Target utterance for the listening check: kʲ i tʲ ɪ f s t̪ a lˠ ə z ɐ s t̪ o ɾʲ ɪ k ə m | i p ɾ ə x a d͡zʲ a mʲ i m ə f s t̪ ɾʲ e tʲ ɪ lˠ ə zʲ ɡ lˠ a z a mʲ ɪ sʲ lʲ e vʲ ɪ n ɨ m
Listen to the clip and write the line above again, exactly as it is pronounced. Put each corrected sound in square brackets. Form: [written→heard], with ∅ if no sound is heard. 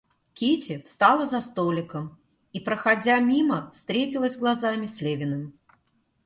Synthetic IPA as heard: kʲ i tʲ ɪ f s t̪ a lˠ ə z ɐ s t̪ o [ɾʲ→lʲ] ɪ k ə m | i p ɾ ə x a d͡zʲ a mʲ i m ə f s t̪ ɾʲ e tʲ ɪ lˠ ə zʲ ɡ lˠ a z a mʲ ɪ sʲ lʲ e vʲ ɪ n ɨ m